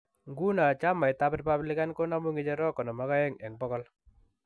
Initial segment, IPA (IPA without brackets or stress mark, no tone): ŋ